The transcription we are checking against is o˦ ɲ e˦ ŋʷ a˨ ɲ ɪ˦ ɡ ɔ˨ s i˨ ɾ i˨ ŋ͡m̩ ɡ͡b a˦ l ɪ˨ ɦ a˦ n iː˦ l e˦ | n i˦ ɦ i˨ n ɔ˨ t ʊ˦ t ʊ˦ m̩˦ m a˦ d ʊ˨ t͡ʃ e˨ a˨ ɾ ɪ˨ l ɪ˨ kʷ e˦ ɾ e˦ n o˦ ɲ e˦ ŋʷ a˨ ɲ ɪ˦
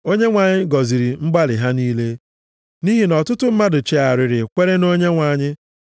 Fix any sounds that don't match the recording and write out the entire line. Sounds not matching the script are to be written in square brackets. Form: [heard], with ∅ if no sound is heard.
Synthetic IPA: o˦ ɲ e˦ ŋʷ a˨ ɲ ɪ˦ ɡ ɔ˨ [z] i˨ ɾ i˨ ŋ͡m̩ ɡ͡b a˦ l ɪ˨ ɦ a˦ n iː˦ l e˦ | n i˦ ɦ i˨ n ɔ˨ t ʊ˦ t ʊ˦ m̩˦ m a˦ d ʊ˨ t͡ʃ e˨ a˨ ɾ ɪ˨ [ɾ] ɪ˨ kʷ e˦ ɾ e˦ n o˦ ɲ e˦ ŋʷ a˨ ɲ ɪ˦